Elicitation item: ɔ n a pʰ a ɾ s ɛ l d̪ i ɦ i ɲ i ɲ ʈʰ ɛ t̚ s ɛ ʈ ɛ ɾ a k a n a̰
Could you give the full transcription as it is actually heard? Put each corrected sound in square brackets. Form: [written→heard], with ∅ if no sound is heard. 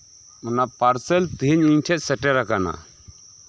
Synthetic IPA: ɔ n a [pʰ→p] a ɾ s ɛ l [d̪→t̪] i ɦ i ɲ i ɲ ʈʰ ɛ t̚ s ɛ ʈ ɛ ɾ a k a n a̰